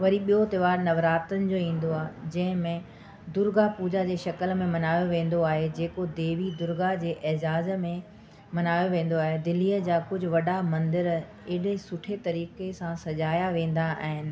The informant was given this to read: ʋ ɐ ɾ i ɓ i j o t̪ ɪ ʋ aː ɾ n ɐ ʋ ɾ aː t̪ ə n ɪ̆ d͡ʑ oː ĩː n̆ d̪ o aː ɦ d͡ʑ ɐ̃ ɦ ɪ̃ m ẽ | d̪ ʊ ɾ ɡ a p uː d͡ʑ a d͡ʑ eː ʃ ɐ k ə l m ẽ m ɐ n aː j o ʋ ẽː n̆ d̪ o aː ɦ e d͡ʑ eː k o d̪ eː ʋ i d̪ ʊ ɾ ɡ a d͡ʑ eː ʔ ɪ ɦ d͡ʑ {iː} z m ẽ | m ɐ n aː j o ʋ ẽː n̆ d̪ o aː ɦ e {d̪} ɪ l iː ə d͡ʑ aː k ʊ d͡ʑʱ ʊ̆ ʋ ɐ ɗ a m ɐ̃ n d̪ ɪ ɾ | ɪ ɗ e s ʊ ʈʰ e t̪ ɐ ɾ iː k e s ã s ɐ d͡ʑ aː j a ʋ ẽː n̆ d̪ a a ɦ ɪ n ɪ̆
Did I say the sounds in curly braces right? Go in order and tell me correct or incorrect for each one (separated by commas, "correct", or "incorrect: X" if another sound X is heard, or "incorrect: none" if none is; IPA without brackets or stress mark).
incorrect: aː, correct